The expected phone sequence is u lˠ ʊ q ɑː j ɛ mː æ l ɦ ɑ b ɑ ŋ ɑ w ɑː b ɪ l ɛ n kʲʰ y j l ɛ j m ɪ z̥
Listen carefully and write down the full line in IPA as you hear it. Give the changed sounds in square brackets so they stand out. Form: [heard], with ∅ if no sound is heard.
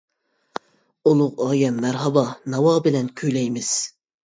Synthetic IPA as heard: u lˠ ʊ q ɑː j ɛ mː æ [ɾ] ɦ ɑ b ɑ [n] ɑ w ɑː b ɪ l ɛ n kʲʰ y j l ɛ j m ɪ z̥